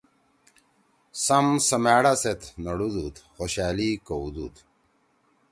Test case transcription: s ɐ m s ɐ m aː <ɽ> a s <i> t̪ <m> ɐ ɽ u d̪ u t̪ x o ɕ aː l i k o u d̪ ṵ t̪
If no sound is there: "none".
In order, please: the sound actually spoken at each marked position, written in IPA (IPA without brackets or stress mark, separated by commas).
ɽ, e, n